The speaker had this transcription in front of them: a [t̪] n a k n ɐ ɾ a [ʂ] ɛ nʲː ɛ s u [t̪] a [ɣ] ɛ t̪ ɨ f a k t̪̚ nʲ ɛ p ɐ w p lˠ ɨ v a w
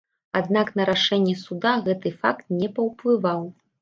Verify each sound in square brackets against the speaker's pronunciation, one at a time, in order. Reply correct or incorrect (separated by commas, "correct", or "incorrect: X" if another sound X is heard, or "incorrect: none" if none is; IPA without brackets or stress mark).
incorrect: d̪, correct, incorrect: d̪, correct